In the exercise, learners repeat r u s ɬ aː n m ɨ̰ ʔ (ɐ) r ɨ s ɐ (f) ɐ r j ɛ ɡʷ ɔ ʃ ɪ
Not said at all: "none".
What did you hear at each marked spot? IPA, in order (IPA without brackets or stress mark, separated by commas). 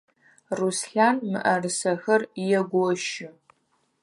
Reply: ɐ, x